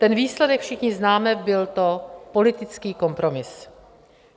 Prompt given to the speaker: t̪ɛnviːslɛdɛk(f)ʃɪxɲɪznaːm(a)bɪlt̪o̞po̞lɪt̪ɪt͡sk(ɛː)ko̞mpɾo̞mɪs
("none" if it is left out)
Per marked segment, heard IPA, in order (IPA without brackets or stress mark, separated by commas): f, ɛ, iː